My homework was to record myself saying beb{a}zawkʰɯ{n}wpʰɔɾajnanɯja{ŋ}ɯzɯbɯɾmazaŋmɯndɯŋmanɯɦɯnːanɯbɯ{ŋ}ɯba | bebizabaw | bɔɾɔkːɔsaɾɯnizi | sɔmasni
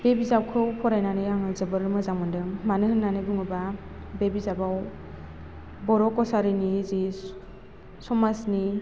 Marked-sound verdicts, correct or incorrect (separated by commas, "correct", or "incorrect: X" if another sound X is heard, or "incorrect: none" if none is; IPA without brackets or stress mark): incorrect: i, incorrect: none, correct, correct